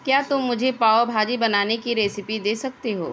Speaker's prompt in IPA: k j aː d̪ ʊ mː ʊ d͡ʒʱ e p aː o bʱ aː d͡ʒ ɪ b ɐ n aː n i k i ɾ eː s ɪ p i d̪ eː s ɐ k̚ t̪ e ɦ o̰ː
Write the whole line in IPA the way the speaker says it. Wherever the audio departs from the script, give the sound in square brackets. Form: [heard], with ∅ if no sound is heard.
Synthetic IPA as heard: k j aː [t̪] ʊ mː ʊ d͡ʒʱ e p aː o bʱ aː d͡ʒ [i] b ɐ n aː n [e] k i ɾ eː s ɪ p i d̪ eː s ɐ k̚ t̪ e ɦ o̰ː